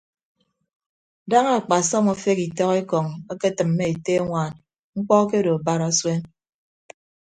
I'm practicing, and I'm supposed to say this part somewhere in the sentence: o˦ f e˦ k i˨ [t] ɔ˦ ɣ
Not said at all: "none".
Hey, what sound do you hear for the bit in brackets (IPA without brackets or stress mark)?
t